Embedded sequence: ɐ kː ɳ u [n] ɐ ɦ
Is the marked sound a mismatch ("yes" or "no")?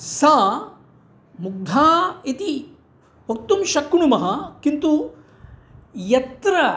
yes